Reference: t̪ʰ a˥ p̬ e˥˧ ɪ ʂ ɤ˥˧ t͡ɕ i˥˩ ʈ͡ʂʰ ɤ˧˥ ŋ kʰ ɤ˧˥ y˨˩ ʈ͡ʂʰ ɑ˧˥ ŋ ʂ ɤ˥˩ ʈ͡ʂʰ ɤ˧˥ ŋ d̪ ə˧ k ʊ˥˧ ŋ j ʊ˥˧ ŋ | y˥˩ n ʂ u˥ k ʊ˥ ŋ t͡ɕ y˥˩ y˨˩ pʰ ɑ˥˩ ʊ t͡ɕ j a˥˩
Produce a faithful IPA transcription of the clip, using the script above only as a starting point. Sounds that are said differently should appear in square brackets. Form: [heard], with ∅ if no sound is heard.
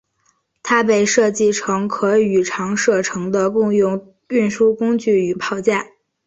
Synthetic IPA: t̪ʰ a˥ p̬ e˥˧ ɪ ʂ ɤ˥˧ t͡ɕ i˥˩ ʈ͡ʂʰ ɤ˧˥ ŋ kʰ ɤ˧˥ y˨˩ ʈ͡ʂʰ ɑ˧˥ ŋ ʂ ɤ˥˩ ʈ͡ʂʰ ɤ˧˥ ŋ d̪ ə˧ k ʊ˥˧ ŋ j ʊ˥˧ ŋ | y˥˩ n ʂ u˥ k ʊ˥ ŋ t͡ɕ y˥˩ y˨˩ pʰ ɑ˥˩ ʊ t͡ɕ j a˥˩